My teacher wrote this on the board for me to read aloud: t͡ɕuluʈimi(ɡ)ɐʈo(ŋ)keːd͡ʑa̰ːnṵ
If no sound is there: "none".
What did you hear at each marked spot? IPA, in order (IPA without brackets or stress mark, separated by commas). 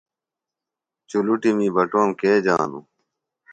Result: b, m